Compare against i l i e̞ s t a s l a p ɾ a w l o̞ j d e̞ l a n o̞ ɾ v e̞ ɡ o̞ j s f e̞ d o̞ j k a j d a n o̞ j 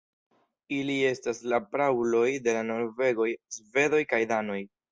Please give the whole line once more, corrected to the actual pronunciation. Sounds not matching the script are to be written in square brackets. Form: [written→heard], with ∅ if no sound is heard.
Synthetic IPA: i l i e̞ s t a s l a p ɾ a w l o̞ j d e̞ l a n o̞ ɾ v e̞ ɡ o̞ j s [f→v] e̞ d o̞ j k a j d a n o̞ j